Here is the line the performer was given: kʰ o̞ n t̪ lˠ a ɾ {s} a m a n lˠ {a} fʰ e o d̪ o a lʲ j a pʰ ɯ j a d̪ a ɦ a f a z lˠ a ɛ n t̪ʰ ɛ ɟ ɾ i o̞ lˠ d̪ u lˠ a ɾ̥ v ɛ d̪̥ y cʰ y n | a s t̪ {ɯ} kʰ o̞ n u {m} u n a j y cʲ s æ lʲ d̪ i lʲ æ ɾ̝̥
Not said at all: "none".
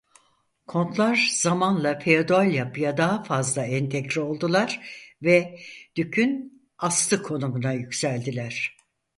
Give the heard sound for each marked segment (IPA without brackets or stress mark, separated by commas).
z, a, ɯ, m